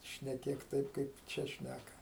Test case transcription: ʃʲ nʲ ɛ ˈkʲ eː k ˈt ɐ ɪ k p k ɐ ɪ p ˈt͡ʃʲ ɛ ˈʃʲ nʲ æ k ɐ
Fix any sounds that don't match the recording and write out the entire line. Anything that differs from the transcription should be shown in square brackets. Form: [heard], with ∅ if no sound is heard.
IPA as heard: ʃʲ nʲ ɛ ˈkʲ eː k ˈt ɐ ɪ [∅] p k ɐ ɪ p ˈt͡ʃʲ ɛ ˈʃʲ nʲ æ k ɐ